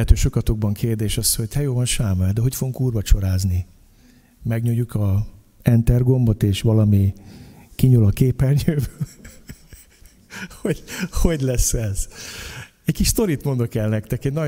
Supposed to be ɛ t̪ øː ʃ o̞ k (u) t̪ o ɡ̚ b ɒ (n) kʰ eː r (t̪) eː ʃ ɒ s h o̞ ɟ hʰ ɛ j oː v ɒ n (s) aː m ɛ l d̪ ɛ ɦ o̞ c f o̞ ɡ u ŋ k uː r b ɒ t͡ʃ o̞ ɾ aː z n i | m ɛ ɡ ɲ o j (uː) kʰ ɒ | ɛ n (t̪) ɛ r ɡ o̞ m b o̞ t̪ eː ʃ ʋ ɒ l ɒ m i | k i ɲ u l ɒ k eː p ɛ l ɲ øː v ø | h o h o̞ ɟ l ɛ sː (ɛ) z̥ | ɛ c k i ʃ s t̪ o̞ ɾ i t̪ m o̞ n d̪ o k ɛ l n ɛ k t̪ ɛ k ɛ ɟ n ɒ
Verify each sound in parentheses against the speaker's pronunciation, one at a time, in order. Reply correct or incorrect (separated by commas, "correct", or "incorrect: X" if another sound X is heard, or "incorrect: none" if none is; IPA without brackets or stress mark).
incorrect: ɒ, incorrect: ŋ, incorrect: d̪, incorrect: ʃ, incorrect: u, correct, correct